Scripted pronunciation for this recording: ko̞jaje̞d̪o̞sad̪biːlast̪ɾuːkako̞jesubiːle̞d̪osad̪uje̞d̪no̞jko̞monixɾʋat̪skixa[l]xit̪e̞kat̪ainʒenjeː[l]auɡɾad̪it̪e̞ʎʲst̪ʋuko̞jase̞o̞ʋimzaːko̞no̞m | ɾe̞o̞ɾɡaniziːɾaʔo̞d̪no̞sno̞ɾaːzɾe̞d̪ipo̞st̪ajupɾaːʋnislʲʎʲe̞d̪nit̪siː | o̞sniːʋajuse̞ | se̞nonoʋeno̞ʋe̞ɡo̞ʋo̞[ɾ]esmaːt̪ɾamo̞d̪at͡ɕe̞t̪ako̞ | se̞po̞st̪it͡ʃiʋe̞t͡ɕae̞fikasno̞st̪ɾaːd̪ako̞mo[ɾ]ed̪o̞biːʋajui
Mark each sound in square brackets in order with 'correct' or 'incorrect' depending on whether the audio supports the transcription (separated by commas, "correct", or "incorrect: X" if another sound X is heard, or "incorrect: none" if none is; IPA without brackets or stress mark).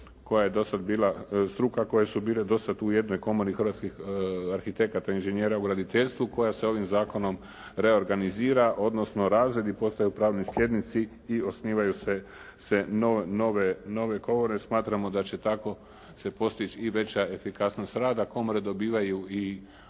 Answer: incorrect: ɾ, incorrect: ɾ, correct, correct